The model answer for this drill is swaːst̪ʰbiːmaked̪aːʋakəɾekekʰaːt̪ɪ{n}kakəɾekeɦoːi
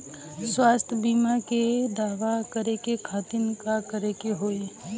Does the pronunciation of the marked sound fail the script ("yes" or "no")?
no